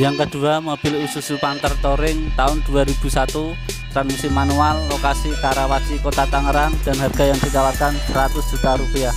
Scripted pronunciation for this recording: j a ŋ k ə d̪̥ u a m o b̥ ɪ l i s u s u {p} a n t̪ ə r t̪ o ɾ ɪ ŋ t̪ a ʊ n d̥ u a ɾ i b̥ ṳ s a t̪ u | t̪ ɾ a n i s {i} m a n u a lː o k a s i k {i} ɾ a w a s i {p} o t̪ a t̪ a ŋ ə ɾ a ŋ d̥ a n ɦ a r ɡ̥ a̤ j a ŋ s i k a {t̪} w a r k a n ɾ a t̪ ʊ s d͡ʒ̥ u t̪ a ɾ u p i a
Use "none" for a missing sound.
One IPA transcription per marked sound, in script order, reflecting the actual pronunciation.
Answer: p, i, a, k, none

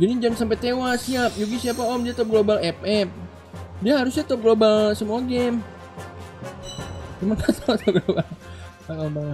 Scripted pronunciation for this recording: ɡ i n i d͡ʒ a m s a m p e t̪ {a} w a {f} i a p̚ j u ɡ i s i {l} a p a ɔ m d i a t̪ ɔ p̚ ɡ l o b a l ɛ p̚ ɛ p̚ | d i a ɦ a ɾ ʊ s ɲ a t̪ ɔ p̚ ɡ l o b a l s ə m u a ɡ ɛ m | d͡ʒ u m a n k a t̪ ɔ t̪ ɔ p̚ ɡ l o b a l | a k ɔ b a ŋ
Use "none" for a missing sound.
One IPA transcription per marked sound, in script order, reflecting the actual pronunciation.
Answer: e, s, none

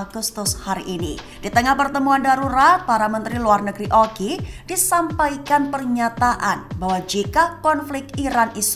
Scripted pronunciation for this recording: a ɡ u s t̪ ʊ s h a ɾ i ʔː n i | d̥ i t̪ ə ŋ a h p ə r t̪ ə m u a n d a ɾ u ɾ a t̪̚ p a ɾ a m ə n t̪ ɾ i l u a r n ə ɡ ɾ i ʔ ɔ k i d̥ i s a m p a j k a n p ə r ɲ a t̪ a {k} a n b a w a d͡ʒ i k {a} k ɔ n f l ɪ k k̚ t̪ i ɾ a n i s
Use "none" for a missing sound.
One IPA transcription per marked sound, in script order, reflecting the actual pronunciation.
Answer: ʔ, a

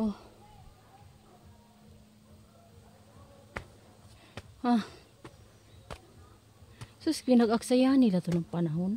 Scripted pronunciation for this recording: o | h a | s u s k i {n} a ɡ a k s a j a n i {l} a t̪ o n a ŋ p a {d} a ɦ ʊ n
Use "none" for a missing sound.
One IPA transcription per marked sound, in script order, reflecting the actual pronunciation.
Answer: n, l, n

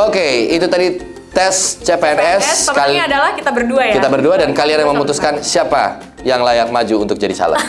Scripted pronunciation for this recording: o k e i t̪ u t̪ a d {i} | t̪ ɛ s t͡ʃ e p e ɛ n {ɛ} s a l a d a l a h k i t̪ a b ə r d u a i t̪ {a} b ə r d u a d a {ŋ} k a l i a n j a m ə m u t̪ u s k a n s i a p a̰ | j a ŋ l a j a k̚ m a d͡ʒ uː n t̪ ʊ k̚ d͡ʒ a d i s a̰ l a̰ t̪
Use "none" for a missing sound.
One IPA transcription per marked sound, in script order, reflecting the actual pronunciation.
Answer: i, ɛ, a, n

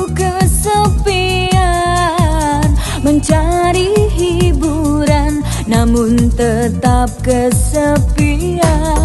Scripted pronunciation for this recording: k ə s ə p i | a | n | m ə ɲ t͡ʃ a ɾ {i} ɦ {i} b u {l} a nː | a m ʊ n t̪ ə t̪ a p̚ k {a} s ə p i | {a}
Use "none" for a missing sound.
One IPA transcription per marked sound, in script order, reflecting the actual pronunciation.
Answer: i, i, ɾ, ə, a

